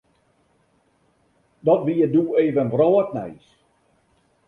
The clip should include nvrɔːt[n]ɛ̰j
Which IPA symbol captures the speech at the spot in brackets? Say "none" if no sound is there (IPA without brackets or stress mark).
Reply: n